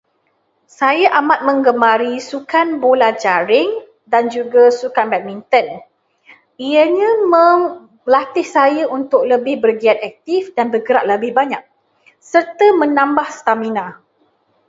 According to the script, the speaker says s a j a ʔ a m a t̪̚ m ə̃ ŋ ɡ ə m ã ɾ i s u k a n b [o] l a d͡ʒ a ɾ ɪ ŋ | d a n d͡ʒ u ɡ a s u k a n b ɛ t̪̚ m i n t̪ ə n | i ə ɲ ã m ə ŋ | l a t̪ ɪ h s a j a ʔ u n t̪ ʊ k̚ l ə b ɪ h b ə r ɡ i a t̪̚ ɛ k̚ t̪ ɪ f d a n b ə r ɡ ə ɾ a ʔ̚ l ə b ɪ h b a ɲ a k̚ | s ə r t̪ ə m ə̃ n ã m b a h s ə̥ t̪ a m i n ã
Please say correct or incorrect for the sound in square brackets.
correct